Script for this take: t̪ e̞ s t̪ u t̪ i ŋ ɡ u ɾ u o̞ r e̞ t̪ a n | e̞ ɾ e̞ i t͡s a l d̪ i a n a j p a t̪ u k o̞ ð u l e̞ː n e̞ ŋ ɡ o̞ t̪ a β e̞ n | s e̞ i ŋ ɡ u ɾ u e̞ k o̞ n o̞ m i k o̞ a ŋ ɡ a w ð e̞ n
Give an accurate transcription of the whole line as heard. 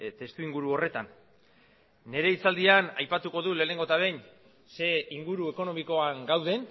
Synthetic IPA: t̪ e̞ s t̪ u i ŋ ɡ u ɾ u o̞ r e̞ t̪ a n | e̞ ɾ e̞ i t͡s a l d̪ i a n a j p a t̪ u k o̞ ð u l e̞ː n e̞ ŋ ɡ o̞ t̪ a β e̞ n | s e̞ i ŋ ɡ u ɾ u e̞ k o̞ n o̞ m i k o̞ a ŋ ɡ a w ð e̞ n